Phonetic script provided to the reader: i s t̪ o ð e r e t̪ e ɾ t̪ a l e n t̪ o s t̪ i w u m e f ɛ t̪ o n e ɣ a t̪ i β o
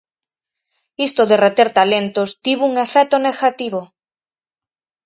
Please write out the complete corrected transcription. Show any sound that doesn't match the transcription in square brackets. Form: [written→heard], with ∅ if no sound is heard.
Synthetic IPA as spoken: i s t̪ o ð e r e t̪ e ɾ t̪ a l e n t̪ o s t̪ i [w→β] u [m→ŋ] e f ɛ t̪ o n e ɣ a t̪ i β o